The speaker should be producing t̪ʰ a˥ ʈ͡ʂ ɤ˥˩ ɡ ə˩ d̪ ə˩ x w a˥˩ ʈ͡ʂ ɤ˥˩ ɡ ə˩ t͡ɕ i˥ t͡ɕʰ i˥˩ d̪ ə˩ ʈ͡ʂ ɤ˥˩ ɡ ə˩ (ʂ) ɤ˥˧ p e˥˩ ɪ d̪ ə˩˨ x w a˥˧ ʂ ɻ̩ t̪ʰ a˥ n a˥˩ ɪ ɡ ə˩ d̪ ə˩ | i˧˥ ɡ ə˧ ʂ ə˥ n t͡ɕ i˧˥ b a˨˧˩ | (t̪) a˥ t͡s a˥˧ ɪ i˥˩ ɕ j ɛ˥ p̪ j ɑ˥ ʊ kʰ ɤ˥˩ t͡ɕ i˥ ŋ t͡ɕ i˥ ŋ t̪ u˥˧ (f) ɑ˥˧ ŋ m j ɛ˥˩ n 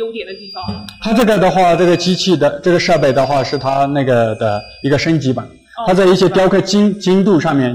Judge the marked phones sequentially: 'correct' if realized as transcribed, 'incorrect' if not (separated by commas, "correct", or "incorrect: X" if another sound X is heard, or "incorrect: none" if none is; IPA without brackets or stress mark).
correct, incorrect: t̪ʰ, incorrect: ʂ